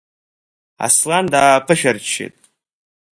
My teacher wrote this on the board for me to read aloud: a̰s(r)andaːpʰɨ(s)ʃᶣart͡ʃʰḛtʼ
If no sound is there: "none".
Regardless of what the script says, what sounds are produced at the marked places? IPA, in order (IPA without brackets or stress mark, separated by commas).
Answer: l, none